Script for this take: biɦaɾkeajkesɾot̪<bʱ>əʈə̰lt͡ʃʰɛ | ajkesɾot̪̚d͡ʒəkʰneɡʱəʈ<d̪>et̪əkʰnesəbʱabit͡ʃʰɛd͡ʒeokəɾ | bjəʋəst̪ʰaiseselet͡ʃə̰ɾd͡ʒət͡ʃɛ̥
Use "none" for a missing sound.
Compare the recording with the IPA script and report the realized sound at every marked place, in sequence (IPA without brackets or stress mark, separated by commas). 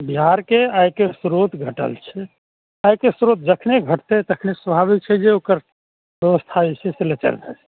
ɡʱ, t̪